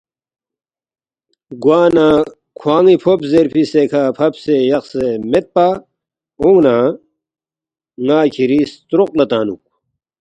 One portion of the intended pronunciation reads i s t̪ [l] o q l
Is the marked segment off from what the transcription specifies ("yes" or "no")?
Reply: yes